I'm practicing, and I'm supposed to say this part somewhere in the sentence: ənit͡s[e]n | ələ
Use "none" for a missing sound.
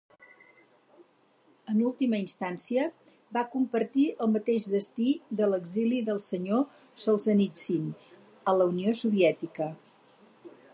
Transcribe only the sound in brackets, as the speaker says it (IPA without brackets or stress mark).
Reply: i